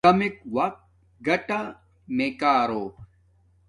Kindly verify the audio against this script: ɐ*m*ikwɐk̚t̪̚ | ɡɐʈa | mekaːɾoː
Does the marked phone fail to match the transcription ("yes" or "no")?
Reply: no